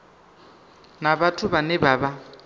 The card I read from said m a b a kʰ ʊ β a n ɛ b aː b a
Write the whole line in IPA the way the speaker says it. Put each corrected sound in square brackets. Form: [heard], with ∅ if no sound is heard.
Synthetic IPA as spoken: [n] a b a [tʰ] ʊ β a n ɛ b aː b a